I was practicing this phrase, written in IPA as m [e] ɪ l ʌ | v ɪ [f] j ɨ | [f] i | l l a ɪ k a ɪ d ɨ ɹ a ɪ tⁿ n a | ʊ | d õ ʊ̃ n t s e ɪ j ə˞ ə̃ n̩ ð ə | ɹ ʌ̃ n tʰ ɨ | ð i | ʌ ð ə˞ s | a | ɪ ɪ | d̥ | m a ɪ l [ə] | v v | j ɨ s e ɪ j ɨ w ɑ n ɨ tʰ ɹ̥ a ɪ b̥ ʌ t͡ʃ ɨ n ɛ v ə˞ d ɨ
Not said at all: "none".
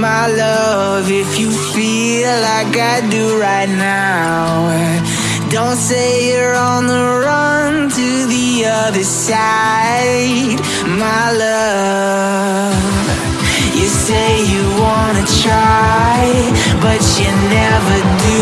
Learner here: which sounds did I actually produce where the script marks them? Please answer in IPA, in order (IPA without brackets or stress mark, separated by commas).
a, f, f, ʌ